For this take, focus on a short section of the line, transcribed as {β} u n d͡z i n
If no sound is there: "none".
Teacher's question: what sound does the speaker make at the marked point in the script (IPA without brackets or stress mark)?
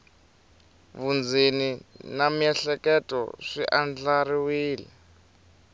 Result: β